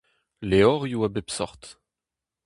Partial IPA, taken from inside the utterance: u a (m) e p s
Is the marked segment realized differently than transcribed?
yes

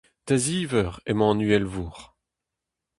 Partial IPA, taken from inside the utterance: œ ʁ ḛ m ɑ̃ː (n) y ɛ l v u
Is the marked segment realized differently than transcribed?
no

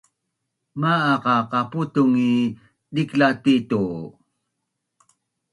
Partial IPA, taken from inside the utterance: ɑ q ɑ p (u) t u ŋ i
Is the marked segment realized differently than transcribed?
no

